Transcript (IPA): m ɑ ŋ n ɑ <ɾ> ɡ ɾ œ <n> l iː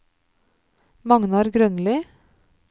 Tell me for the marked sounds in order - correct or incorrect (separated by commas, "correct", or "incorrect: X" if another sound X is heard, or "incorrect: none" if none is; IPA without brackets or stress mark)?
correct, correct